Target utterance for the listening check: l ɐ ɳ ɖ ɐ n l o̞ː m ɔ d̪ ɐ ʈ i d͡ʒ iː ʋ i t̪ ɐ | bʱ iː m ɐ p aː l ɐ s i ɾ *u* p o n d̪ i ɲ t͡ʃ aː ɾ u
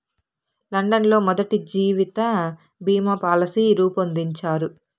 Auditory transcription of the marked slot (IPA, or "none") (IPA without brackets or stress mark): uː